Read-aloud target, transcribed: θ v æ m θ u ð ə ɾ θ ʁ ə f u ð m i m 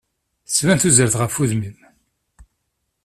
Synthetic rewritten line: s v æ n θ u z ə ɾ θ ʁ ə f u ð m i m